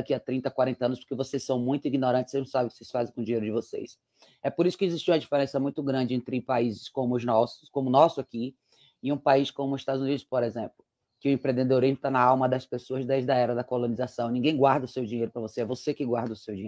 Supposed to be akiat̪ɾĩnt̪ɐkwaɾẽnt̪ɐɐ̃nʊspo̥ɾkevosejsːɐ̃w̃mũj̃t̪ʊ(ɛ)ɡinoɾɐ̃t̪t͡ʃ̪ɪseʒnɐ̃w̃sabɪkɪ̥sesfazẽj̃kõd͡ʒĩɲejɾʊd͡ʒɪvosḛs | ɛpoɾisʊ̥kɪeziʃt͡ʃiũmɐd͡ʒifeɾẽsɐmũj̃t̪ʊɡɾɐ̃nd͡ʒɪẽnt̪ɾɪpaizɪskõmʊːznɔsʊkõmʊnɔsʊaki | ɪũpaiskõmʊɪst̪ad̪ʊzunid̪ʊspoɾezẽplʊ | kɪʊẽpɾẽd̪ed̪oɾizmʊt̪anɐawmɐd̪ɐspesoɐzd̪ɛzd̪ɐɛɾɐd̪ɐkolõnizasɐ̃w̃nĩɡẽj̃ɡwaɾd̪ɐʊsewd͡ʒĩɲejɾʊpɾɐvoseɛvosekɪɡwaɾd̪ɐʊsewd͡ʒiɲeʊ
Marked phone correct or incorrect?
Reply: incorrect